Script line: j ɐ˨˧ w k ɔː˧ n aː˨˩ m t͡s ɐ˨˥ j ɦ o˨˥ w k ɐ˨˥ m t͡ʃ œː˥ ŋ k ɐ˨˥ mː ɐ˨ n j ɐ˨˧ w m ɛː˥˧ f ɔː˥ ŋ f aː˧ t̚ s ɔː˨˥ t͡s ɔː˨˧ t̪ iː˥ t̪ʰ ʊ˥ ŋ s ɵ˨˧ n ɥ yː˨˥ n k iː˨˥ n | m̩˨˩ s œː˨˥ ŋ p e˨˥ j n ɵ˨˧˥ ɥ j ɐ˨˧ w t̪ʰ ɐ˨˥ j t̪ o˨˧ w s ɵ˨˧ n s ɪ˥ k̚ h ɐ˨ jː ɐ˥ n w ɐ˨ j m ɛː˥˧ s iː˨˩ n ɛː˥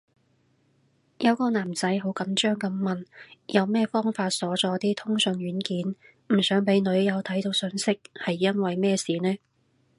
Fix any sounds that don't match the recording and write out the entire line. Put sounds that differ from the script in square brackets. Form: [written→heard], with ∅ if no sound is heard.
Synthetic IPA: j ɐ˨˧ w k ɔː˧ n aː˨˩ m t͡s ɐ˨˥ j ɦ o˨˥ w k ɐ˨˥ m t͡ʃ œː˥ ŋ k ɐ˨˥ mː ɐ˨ n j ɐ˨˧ w m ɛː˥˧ f ɔː˥ ŋ f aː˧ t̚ s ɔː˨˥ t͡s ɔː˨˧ t̪ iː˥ t̪ʰ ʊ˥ ŋ s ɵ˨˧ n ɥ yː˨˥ n k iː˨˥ n | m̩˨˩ s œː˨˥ ŋ p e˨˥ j n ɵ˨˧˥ ɥ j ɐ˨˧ w t̪ʰ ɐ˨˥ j t̪ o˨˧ w s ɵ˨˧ n s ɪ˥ k̚ h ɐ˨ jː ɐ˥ n w ɐ˨ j m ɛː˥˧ s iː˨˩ n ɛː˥